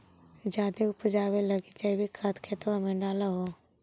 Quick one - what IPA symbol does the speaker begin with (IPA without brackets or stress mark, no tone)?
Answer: d͡ʒ